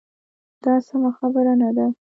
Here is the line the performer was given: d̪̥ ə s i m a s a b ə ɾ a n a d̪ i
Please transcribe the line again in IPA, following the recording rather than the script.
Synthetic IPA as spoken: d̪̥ ɑ s a m a x a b ə ɾ a n a d̪ a